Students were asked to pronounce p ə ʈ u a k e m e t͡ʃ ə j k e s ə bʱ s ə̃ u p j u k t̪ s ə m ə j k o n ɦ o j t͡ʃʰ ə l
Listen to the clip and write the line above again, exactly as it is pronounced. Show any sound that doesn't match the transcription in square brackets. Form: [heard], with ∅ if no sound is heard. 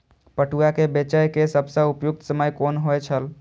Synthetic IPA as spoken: p ə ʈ u a k e [b] e t͡ʃ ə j k e s ə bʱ s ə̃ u p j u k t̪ s ə m ə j k o n ɦ o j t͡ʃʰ ə l